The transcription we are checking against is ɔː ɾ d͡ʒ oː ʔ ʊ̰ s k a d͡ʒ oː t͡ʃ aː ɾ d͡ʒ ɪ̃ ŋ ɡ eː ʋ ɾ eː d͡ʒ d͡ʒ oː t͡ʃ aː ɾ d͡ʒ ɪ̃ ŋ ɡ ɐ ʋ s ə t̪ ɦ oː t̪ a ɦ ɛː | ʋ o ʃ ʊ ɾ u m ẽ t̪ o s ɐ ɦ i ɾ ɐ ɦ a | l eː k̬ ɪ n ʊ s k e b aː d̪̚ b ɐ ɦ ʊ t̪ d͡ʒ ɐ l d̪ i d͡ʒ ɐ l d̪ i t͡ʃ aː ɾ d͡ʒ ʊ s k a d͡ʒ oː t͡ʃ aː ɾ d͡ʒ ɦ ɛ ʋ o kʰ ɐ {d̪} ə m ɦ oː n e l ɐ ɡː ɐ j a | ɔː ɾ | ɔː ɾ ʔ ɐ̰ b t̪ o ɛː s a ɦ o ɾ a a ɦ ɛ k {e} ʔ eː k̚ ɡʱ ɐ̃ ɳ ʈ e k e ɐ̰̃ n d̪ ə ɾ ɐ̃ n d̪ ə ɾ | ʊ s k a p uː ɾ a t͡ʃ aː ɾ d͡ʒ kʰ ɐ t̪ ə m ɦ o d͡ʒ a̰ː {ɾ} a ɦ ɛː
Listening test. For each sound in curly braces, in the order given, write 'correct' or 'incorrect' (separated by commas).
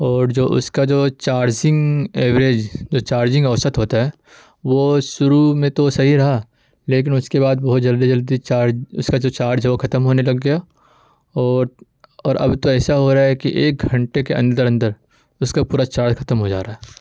incorrect, incorrect, correct